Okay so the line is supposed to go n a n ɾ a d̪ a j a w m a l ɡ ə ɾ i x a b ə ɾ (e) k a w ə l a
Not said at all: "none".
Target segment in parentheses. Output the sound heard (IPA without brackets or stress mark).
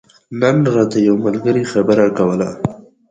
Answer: a